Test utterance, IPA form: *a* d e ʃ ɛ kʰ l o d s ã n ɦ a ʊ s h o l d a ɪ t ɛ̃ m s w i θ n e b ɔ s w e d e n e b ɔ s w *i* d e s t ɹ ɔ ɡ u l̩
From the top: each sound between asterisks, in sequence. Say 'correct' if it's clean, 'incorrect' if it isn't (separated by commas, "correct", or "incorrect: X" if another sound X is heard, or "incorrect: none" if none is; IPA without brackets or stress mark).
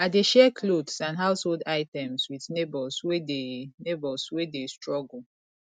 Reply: correct, incorrect: e